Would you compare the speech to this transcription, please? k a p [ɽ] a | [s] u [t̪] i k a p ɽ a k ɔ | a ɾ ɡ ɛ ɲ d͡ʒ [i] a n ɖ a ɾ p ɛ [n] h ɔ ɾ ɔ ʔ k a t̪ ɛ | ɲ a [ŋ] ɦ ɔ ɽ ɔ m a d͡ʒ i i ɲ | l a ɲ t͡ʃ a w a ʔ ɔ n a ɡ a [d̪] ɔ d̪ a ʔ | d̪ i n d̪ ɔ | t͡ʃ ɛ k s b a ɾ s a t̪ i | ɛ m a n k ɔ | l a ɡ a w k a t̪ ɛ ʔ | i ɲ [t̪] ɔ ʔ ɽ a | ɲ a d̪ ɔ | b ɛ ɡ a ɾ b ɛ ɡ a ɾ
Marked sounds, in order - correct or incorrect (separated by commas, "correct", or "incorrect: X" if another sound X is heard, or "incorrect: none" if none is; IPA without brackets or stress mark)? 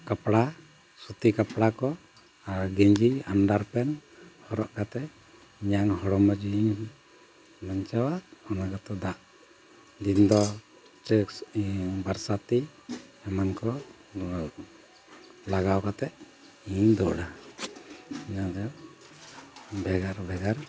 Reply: correct, correct, correct, correct, correct, correct, incorrect: t̪, incorrect: d̪